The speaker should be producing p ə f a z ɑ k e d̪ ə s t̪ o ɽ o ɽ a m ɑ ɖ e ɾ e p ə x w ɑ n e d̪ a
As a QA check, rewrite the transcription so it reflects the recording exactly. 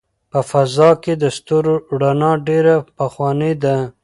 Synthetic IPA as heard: p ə f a z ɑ k e d̪ ə s t̪ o ɾ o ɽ a n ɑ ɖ e ɾ a p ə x w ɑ n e d̪ a